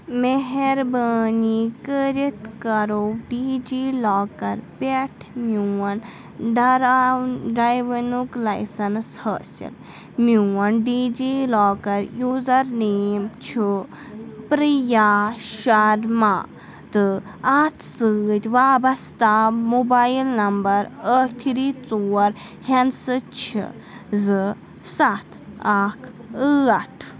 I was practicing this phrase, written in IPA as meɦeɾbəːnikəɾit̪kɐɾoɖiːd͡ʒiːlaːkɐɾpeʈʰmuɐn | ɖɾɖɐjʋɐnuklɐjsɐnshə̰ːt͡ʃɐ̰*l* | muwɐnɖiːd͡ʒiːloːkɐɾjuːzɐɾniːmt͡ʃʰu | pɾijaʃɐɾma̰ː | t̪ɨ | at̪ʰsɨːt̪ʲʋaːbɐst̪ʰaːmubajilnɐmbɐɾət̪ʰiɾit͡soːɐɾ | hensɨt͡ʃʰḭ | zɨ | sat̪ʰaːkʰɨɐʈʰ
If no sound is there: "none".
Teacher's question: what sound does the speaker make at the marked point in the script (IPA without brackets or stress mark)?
l